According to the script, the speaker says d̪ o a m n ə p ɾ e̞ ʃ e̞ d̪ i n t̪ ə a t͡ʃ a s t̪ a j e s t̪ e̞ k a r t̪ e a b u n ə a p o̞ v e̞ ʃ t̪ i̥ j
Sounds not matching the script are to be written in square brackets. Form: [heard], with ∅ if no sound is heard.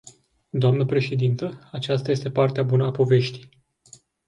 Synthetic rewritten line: d̪ o a m n ə p ɾ e̞ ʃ e̞ d̪ i n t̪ ə a t͡ʃ a s t̪ a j e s t̪ e̞ [p] a r t̪ e a b u n ə a p o̞ v e̞ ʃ t̪ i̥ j

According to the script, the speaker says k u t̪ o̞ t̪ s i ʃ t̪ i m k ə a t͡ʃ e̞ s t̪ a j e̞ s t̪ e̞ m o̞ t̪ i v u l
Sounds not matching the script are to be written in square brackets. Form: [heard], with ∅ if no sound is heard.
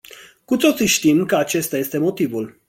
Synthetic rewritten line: k u t̪ o̞ t̪ s i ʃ t̪ i m k ə a t͡ʃ e̞ s t̪ a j e̞ s t̪ e̞ m o̞ t̪ i v u l

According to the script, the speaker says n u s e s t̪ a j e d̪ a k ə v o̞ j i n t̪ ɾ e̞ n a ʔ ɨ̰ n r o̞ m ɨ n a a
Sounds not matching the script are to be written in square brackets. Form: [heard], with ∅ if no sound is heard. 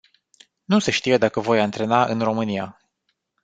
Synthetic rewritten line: n u s e [ʃ] t̪ [i] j e d̪ a k ə v o̞ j [a] n t̪ ɾ e̞ n a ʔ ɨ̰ n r o̞ m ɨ n [i] a

